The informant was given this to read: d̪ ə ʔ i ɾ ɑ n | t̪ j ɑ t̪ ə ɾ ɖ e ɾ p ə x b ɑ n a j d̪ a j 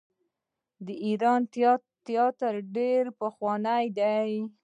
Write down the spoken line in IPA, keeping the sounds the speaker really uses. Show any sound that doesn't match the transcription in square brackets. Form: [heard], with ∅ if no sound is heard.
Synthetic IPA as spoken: d̪ ə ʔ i ɾ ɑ n | t̪ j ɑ t̪ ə ɾ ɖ e ɾ p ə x [w] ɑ n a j d̪ a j

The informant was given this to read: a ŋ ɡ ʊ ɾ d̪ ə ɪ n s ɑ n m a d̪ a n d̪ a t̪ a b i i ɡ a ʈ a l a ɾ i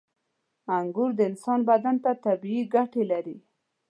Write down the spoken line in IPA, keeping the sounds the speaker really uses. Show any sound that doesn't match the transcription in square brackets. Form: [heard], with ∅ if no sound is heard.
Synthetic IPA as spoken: a ŋ ɡ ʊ ɾ d̪ ə ɪ n s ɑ n [b] a d̪ a n [t̪] a t̪ a b i i ɡ a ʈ [e] l a ɾ i

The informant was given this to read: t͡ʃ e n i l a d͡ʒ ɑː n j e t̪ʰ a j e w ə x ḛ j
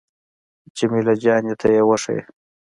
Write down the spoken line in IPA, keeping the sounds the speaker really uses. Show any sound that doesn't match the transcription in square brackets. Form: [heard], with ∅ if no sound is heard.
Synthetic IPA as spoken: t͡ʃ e [m] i l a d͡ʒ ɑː n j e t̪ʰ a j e w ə [ʂ] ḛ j

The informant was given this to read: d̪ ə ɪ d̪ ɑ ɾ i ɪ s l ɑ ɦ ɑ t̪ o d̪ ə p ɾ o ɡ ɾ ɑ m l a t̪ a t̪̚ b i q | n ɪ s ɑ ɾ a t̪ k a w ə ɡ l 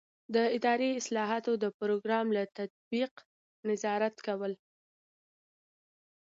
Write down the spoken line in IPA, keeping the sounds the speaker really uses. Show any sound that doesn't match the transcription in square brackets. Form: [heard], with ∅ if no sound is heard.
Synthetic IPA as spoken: d̪ ə ɪ d̪ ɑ ɾ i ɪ s l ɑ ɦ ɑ t̪ o d̪ ə p ɾ o ɡ ɾ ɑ m l a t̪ a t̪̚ b i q | n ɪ [z] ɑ ɾ a t̪ k a w ə [∅] l

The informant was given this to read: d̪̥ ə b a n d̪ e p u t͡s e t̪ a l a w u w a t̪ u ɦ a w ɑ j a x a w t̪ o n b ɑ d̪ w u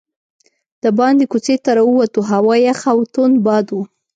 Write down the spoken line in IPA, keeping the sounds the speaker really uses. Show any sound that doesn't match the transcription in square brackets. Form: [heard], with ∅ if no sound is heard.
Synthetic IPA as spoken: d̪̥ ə b [ɑ] n d̪ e [k] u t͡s e t̪ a [ɾ] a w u w a t̪ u ɦ a w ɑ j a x a w t̪ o n b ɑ d̪ w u

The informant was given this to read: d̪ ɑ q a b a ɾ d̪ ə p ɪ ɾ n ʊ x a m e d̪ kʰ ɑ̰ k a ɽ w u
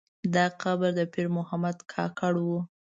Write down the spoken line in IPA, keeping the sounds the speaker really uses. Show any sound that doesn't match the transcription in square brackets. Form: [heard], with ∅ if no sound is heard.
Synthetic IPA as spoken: d̪ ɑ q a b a ɾ d̪ ə p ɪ ɾ [m] ʊ [h] a m [a] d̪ kʰ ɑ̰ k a ɽ w u

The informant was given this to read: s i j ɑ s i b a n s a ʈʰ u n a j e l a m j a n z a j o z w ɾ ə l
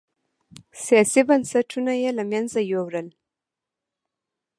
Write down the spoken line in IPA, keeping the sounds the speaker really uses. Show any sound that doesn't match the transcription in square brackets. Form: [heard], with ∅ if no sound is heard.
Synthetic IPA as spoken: s i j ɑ s i b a n s a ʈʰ u n a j e l a m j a n z a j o [∅] w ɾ ə l

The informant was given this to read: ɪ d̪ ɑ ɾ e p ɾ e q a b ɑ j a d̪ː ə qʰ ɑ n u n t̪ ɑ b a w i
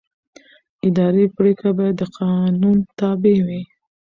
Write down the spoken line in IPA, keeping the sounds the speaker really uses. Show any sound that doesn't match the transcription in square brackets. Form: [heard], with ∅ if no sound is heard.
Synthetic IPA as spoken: ɪ d̪ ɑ ɾ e p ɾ e [k] a b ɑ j a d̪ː ə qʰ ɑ n u n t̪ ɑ b [e] w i

